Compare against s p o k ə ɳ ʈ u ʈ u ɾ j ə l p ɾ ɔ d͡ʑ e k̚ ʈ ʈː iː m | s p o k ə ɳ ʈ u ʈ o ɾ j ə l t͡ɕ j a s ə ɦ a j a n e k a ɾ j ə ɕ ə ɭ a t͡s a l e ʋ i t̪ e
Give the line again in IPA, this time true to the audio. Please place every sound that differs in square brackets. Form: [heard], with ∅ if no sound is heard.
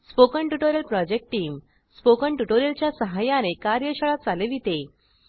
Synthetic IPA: s p o k ə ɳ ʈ u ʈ [o] ɾ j ə l p ɾ ɔ d͡ʑ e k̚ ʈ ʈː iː m | s p o k ə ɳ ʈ u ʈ o ɾ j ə l t͡ɕ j a s ə ɦ a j a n e k a ɾ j ə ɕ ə ɭ a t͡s a l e ʋ i t̪ e